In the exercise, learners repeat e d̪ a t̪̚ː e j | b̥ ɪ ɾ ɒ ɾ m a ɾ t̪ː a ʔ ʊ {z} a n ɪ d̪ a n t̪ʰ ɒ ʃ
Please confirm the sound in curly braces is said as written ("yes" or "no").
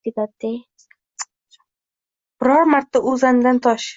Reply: yes